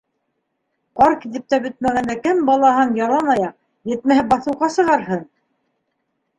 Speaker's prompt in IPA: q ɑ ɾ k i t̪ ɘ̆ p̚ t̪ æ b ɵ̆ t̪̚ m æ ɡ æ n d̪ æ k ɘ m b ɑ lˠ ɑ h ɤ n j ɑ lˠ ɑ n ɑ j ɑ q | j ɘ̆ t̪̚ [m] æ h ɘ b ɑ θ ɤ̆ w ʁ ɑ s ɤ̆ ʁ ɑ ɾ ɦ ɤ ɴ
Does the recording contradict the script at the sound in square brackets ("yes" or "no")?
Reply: no